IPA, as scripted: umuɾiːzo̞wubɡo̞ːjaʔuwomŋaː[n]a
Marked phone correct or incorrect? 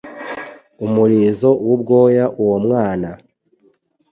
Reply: correct